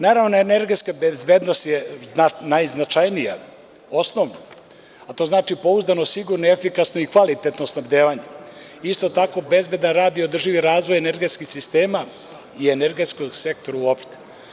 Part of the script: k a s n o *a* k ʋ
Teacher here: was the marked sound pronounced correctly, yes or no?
no